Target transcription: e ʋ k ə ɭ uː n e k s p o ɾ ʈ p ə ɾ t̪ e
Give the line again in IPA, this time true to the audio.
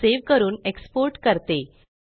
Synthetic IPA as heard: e ʋ k ə ɾ uː n e k s p o ɾ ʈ k ə ɾ t̪ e